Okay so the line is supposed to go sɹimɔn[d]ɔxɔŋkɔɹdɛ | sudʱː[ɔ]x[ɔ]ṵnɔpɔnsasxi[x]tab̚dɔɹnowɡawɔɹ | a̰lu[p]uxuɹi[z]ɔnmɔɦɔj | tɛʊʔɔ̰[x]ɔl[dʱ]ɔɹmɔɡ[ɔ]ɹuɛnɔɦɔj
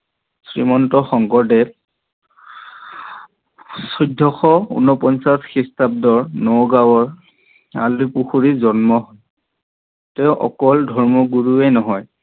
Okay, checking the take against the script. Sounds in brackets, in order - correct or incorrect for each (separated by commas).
incorrect, correct, correct, incorrect, correct, correct, incorrect, correct, incorrect